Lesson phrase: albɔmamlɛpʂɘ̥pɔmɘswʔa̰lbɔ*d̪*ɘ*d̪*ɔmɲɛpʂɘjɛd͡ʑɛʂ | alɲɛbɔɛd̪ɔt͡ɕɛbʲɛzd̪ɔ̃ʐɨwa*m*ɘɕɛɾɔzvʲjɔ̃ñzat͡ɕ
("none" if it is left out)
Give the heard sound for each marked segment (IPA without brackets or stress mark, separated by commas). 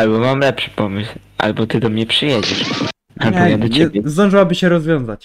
t̪, d̪, b